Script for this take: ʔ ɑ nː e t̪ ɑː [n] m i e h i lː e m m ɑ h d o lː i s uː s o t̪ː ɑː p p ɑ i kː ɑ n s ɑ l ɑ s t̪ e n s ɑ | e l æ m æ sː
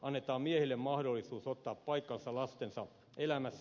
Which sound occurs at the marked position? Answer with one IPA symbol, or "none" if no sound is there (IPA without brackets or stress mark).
m